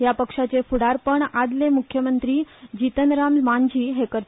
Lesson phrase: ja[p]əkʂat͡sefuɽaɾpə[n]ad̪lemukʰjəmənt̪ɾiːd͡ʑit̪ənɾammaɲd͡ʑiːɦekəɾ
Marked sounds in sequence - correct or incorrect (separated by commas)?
correct, incorrect